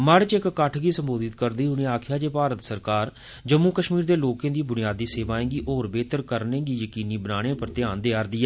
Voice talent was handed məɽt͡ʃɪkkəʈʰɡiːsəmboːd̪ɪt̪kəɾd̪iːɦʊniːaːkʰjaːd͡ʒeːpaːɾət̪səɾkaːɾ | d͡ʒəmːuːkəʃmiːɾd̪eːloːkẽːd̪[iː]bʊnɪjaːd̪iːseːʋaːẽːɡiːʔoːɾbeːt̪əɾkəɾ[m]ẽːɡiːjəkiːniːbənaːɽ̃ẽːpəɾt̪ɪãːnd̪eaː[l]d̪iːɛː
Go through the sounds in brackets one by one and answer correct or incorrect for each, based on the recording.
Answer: correct, incorrect: n, incorrect: ɾ

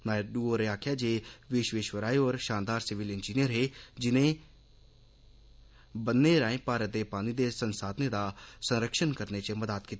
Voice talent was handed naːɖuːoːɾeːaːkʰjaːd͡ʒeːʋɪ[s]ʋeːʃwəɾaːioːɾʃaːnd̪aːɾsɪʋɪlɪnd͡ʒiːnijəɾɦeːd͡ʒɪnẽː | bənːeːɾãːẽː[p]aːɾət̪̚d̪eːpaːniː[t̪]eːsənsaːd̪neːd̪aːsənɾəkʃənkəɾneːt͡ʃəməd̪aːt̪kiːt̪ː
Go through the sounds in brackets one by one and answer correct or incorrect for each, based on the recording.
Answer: incorrect: ʃ, correct, incorrect: d̪

